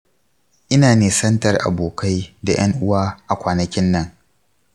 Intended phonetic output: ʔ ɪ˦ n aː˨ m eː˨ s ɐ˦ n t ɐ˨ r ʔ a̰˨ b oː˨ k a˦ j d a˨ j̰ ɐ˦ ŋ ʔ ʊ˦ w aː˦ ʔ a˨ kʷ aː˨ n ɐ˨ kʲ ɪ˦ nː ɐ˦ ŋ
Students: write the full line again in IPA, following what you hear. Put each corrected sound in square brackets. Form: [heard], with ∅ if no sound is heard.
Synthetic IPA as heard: ʔ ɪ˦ n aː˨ [n] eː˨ s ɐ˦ n t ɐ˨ r ʔ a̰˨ b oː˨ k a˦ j d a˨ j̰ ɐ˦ ŋ ʔ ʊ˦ w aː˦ ʔ a˨ kʷ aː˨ n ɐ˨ kʲ ɪ˦ nː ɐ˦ ŋ